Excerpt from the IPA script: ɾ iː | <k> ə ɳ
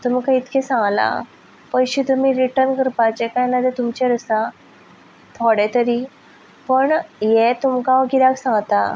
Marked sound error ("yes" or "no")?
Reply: yes